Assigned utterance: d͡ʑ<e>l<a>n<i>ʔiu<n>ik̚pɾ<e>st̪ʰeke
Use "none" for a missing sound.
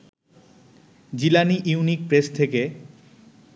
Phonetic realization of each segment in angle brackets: i, a, i, n, e

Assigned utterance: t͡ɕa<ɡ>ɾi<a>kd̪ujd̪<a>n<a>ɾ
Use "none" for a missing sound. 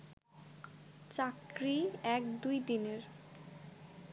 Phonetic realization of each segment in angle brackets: k, ɛ, i, e

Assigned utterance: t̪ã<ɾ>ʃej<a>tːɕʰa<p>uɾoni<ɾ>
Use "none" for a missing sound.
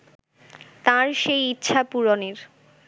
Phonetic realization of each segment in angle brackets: ɾ, i, p, ɾ

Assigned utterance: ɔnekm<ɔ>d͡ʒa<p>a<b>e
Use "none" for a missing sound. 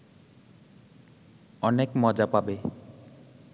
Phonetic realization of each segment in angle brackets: ɔ, p, b

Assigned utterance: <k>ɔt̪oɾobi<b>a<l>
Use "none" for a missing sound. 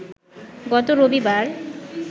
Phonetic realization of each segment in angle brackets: ɡ, b, ɾ

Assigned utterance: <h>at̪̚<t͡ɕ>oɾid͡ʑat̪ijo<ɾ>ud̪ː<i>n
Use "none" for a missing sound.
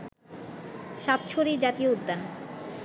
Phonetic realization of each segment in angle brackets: ʃ, t͡ɕʰ, none, a

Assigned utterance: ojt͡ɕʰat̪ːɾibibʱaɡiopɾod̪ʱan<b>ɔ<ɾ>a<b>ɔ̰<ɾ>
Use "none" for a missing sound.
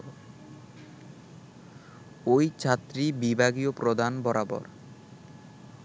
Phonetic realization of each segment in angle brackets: b, ɾ, b, ɾ

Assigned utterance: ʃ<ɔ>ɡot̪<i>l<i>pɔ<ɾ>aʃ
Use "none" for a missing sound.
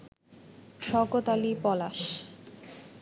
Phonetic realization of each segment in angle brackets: ɔ, a, i, l

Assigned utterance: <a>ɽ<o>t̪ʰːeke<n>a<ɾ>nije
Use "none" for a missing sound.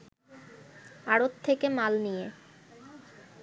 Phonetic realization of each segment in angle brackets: a, o, m, l

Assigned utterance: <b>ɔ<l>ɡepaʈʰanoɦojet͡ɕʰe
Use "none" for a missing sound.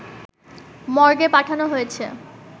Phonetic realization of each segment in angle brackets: m, ɾ

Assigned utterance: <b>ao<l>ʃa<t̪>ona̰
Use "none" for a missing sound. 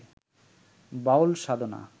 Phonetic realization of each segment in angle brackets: b, l, d̪

